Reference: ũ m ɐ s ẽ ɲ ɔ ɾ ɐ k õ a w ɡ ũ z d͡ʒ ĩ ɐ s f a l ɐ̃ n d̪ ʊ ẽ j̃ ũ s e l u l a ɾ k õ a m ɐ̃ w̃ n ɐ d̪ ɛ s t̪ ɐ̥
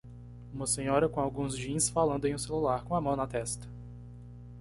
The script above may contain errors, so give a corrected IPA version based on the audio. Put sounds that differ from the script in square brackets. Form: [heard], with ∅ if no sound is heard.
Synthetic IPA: ũ m ɐ s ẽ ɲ ɔ ɾ ɐ k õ a w ɡ ũ z d͡ʒ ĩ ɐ s f a l ɐ̃ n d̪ ʊ ẽ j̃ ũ s e l u l a ɾ k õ a m ɐ̃ w̃ n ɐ [t̪] ɛ s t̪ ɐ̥